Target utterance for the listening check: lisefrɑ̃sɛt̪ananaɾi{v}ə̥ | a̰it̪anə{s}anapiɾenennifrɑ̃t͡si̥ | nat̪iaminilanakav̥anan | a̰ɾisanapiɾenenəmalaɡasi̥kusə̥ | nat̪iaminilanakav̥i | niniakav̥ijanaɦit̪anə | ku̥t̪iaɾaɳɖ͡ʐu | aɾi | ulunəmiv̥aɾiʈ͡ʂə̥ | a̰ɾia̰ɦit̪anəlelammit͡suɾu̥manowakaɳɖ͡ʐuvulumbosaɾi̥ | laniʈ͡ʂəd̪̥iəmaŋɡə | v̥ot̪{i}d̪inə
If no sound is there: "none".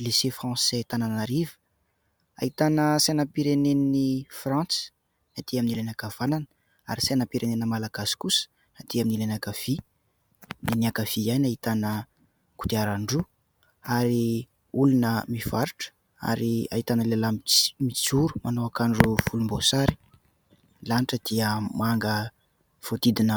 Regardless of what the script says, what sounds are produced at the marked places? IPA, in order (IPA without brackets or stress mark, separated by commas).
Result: v, s, i